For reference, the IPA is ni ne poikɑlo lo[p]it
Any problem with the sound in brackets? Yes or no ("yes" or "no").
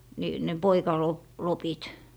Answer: no